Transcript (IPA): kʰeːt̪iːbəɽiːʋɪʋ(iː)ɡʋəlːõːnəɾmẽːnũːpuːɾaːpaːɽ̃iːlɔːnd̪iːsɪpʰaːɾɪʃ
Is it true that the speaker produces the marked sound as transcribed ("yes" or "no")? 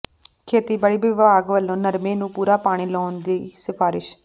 no